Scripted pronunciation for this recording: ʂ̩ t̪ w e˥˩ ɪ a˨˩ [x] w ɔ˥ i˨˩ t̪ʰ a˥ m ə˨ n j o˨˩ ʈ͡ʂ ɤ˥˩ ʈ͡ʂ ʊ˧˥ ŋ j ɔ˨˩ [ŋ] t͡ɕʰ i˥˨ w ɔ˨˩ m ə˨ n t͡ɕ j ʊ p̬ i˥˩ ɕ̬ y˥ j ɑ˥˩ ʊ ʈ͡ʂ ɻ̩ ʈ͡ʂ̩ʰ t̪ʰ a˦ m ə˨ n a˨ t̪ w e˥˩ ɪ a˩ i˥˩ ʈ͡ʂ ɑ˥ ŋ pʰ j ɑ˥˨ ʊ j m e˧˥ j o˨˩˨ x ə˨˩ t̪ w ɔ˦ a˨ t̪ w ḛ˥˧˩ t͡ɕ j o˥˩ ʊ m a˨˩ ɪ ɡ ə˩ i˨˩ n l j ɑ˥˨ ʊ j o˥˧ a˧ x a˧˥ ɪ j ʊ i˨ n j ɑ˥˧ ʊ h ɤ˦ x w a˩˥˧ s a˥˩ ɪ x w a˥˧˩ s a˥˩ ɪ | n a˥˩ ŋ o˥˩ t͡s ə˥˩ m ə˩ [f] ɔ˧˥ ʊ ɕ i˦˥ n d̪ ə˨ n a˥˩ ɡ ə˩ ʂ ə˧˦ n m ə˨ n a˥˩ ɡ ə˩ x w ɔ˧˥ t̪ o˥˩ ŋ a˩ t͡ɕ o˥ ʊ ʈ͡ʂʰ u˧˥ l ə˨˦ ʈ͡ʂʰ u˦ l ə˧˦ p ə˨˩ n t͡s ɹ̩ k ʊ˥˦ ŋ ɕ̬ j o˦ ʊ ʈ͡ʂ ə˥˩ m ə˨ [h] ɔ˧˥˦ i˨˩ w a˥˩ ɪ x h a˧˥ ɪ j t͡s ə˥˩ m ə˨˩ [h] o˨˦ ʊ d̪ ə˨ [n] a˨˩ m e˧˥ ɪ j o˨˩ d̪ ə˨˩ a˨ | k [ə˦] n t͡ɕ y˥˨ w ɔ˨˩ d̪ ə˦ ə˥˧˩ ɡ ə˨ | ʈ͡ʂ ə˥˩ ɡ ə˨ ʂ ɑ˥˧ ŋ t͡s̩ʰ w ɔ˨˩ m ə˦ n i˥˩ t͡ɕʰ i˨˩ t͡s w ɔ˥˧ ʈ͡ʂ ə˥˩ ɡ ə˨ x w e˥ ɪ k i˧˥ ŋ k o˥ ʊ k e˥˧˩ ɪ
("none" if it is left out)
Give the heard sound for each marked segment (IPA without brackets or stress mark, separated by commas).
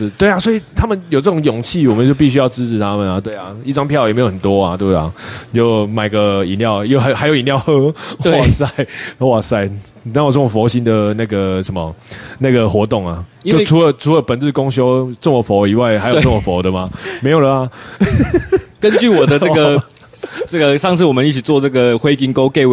s, ŋ, f, f, f, m, ə˦